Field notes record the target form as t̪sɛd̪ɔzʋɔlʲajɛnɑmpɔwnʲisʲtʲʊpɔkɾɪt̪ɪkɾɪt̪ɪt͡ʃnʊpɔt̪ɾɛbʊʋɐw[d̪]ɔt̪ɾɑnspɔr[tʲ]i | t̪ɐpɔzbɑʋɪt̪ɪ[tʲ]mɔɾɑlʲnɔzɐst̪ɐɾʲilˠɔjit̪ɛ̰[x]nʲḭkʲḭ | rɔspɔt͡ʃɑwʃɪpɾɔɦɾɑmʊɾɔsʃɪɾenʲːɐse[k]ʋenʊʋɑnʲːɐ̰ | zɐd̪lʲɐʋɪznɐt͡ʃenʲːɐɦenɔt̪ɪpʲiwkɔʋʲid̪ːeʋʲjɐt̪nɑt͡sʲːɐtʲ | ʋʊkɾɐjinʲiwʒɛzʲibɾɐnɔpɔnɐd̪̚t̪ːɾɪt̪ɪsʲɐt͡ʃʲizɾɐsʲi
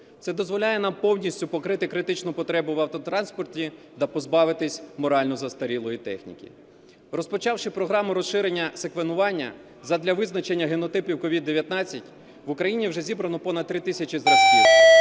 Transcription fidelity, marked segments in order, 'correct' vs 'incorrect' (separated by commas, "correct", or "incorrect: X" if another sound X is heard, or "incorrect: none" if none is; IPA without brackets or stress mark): incorrect: t̪, correct, incorrect: sʲ, correct, correct